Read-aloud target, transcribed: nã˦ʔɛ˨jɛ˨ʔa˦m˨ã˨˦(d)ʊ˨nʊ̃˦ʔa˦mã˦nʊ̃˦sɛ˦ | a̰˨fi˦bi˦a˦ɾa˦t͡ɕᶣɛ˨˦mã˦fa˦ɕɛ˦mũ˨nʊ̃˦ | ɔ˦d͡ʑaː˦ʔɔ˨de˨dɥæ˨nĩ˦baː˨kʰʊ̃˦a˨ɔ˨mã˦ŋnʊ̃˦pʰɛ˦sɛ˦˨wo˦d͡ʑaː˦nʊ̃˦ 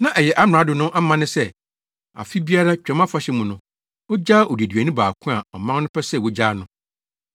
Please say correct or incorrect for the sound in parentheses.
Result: correct